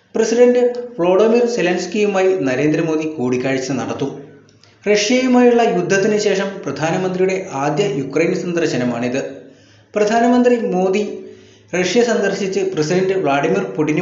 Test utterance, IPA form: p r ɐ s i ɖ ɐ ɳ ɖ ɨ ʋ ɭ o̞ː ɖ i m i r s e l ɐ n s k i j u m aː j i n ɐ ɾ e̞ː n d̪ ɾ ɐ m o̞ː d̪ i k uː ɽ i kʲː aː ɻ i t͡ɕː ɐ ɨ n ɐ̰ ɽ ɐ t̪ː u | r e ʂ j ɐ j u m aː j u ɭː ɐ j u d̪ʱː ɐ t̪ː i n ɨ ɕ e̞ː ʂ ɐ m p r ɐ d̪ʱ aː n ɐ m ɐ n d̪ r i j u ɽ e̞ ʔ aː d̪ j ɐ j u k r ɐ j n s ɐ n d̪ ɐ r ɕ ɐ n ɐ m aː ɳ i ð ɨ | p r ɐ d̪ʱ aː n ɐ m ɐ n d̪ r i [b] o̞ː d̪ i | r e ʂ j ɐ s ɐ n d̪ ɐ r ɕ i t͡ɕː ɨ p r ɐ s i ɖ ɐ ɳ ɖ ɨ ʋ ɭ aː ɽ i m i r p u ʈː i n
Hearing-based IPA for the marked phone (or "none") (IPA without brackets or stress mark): m